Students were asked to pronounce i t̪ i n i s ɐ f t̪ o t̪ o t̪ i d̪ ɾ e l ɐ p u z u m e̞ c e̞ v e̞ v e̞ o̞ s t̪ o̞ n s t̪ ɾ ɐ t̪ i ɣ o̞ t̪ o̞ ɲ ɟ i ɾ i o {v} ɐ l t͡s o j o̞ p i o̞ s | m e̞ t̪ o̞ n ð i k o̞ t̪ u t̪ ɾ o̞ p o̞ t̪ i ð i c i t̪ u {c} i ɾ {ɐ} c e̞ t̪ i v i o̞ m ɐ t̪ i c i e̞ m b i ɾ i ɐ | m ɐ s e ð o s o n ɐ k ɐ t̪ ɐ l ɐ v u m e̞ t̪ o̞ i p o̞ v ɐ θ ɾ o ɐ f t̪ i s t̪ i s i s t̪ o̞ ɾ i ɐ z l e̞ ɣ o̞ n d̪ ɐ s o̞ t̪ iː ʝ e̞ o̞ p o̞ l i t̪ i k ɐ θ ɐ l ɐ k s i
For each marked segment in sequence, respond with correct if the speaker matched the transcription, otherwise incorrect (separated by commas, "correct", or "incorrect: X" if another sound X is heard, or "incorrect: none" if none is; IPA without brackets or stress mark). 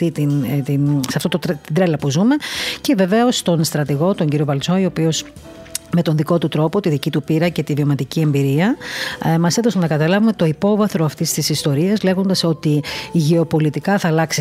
correct, incorrect: p, correct